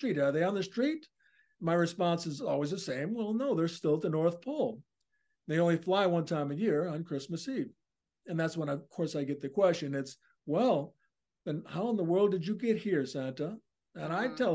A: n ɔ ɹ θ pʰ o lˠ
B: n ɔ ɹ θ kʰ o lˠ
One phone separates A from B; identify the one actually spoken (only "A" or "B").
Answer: A